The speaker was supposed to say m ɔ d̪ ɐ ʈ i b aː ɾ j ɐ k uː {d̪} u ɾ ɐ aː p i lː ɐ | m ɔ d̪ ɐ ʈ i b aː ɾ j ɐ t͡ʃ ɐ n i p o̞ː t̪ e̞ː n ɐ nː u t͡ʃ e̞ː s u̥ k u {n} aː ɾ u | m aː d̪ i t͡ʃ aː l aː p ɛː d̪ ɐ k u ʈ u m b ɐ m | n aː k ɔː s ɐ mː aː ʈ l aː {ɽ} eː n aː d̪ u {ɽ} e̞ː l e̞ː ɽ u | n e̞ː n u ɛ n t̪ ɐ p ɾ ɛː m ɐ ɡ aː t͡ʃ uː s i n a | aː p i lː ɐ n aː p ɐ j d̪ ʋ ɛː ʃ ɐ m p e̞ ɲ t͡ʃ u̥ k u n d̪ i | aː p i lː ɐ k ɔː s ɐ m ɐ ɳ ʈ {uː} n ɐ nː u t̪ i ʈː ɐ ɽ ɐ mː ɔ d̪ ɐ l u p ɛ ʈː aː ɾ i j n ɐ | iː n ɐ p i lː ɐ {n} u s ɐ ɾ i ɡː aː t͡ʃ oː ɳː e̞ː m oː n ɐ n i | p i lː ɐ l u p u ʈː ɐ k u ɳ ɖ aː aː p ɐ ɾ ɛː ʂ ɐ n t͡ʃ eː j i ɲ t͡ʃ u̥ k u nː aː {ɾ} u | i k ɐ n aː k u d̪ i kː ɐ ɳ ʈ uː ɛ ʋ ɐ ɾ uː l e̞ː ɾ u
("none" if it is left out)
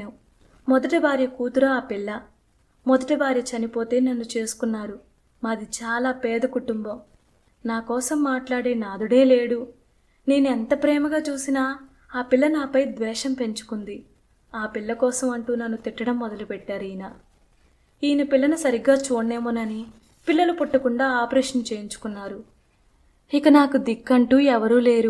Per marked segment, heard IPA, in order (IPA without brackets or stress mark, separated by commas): t̪, nː, ɽ, ɽ, uː, n, ɾ